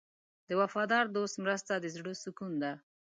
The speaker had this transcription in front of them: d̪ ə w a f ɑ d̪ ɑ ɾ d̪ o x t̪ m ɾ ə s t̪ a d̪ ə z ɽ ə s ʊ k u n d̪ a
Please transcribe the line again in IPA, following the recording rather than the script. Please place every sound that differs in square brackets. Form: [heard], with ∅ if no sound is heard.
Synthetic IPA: d̪ ə w a f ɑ d̪ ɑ ɾ d̪ o [s] t̪ m ɾ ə s t̪ a d̪ ə z ɽ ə s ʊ k u n d̪ a